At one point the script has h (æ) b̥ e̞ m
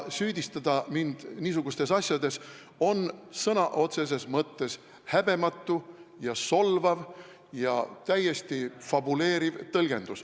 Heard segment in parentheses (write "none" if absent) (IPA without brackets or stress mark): æ